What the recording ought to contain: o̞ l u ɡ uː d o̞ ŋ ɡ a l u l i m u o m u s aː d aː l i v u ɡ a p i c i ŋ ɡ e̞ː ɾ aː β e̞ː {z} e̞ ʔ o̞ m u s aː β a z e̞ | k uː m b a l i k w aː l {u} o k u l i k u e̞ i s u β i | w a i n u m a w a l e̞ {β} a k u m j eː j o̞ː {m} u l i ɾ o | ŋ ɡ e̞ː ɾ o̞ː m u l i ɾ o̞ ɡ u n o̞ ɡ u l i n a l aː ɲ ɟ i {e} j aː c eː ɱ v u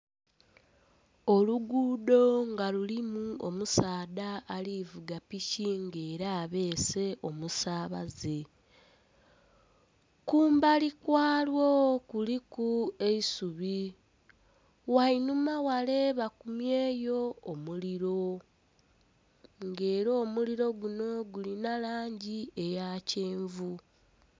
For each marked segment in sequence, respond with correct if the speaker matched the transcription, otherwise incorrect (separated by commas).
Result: incorrect, incorrect, correct, correct, correct